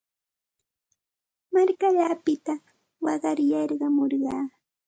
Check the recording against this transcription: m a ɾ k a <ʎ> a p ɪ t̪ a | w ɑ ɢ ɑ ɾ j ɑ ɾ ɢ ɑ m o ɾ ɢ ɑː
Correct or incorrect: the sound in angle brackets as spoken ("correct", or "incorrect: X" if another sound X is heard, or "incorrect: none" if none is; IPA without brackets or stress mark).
correct